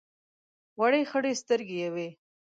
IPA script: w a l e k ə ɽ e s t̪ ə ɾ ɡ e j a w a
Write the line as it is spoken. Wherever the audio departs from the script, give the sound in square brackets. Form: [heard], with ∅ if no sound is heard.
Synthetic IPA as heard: w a [ɽ] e [x] ə ɽ e s t̪ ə ɾ ɡ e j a w [e]